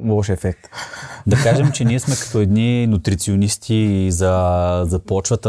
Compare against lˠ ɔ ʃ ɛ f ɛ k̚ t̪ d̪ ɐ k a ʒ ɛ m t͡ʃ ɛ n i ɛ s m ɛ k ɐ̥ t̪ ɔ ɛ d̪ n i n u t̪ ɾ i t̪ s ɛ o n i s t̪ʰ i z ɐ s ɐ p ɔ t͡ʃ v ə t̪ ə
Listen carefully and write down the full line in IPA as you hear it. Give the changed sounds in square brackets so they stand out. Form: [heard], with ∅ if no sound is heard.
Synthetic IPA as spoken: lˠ ɔ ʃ ɛ f ɛ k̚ t̪ d̪ ɐ k a ʒ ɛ m t͡ʃ ɛ n i ɛ s m ɛ k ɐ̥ t̪ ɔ ɛ d̪ n i n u t̪ ɾ i t̪ s [i] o n i s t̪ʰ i z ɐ [z] ɐ p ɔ t͡ʃ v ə t̪ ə